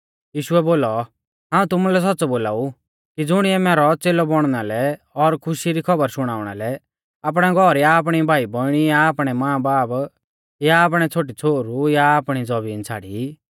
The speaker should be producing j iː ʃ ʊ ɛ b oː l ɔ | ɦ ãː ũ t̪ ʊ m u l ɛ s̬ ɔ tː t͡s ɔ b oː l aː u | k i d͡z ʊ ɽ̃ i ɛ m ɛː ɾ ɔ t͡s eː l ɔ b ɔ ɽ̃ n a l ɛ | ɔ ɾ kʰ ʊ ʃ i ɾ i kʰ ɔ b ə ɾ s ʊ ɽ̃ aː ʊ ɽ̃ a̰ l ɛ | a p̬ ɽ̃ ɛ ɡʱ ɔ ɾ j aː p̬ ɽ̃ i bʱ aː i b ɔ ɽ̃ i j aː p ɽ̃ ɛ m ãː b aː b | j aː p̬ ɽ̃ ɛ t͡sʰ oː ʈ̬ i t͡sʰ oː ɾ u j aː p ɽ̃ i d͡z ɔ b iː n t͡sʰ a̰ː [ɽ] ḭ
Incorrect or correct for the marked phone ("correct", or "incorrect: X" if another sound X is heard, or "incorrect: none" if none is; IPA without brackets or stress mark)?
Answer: correct